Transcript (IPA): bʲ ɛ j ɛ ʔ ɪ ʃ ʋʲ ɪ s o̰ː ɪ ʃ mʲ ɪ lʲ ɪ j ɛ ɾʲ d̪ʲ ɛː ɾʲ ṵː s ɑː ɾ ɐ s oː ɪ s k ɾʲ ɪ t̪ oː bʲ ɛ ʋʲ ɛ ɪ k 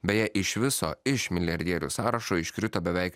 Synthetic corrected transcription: bʲ ɛ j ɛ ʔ ɪ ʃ ʋʲ ɪ s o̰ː ɪ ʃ mʲ ɪ lʲ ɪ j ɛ ɾʲ d̪ʲ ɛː ɾʲ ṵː s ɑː ɾ ɐ ʃ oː ɪ ʃ k ɾʲ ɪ t̪ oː bʲ ɛ ʋʲ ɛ ɪ k